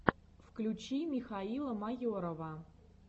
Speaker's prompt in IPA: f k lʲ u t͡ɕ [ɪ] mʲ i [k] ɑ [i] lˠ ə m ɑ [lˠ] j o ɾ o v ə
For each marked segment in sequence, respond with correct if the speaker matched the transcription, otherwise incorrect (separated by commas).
incorrect, incorrect, correct, incorrect